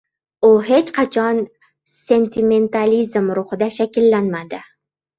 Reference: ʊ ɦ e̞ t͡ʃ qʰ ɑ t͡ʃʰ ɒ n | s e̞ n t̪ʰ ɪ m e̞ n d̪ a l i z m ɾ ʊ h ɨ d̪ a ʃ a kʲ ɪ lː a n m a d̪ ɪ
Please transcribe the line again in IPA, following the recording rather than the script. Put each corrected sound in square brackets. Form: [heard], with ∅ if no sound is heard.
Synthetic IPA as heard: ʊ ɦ e̞ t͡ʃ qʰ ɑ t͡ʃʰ ɒ n | s e̞ n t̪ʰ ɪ m e̞ n [t̪] a l i z m ɾ ʊ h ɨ d̪ a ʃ a kʲ ɪ lː a n m a d̪ ɪ